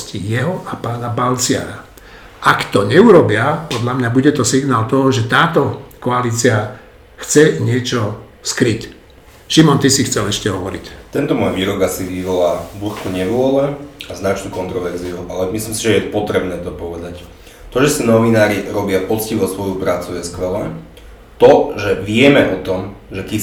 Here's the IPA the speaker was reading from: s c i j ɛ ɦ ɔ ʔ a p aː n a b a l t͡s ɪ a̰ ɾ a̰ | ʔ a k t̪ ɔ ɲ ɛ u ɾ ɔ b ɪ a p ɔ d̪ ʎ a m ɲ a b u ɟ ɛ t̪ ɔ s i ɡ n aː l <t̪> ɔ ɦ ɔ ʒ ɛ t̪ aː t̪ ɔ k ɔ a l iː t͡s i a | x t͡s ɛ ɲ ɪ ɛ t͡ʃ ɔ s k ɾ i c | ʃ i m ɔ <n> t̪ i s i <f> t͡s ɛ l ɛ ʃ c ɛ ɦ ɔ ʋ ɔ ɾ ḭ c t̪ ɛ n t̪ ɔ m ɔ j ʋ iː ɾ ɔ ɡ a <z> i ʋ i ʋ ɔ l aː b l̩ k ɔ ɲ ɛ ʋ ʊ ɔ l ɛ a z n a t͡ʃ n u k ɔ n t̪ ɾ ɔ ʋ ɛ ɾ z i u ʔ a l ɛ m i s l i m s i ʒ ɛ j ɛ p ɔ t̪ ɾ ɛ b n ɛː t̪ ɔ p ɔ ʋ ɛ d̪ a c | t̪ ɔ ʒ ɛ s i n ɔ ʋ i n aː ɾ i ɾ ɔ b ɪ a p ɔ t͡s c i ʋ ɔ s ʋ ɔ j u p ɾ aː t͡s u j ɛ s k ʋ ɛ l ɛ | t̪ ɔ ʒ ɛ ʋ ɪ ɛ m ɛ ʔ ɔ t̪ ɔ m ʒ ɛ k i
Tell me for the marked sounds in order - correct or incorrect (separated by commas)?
correct, correct, incorrect, incorrect